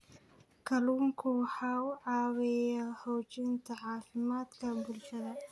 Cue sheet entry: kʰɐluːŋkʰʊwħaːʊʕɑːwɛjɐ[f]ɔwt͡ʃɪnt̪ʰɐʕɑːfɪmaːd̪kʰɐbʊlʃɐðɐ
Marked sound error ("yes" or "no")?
yes